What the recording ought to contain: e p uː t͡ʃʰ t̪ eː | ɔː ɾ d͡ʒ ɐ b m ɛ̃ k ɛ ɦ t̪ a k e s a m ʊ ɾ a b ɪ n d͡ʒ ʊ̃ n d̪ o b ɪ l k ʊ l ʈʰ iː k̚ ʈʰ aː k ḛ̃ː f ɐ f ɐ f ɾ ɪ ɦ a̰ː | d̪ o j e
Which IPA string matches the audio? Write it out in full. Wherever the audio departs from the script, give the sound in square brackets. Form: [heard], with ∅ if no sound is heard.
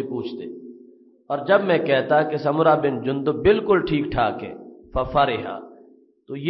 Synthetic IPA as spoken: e p uː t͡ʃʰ t̪ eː | ɔː ɾ d͡ʒ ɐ b m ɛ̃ k ɛ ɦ t̪ a k e s [ɐ] m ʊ ɾ a b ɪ n d͡ʒ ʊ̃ n d̪ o b ɪ l k ʊ l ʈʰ iː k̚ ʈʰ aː k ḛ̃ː f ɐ f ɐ [∅] ɾ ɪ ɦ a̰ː | [t̪] o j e